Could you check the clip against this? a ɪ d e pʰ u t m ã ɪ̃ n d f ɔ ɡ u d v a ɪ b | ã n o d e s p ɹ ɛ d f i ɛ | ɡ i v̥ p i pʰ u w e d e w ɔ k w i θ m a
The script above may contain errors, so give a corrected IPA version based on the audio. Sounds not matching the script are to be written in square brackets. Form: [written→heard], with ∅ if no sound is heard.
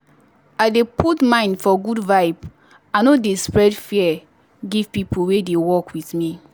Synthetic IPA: a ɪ d e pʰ u t m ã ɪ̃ n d f ɔ ɡ u d v a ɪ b | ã n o d e s p ɹ ɛ d f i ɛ | ɡ i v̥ p i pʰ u w e d e w ɔ k w i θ m [a→i]